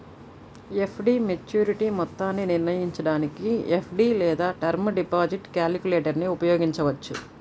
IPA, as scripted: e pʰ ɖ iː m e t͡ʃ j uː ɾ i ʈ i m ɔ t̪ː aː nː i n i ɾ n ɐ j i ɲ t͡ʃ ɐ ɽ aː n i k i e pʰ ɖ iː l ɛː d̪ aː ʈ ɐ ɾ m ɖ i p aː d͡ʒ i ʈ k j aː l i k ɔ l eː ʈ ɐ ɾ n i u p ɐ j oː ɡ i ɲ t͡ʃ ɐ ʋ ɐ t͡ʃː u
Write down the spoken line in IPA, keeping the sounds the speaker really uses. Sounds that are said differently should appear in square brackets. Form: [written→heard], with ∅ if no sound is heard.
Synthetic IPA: e pʰ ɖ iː m e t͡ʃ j uː ɾ i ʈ i m ɔ t̪ː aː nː i n i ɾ n ɐ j i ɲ t͡ʃ ɐ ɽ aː n i k i e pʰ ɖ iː l ɛː d̪ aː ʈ ɐ ɾ m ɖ i p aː d͡ʒ i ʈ k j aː l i k [ɔ→u] l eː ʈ ɐ ɾ n i u p ɐ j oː ɡ i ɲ t͡ʃ ɐ ʋ ɐ t͡ʃː u